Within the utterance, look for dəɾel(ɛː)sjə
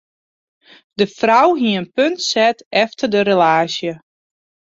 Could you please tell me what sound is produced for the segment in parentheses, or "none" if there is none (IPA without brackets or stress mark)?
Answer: aː